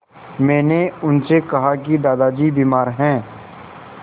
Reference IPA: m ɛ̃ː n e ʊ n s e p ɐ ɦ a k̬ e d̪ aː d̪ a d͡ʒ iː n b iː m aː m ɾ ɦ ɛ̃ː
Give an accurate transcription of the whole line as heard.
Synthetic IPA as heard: m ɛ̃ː n e ʊ n s e k ɐ ɦ a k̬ i d̪ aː d̪ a d͡ʒ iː b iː m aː ɾ ɦ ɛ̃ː